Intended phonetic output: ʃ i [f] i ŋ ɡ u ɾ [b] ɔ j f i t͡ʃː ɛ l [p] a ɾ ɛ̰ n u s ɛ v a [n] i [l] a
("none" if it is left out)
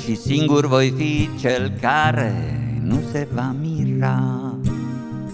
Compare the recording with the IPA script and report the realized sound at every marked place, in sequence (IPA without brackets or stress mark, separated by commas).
s, v, k, m, r